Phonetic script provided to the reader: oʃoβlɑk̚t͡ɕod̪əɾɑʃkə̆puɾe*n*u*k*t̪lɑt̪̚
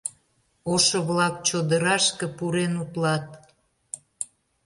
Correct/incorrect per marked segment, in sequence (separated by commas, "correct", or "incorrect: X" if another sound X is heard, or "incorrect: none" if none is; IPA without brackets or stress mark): correct, incorrect: none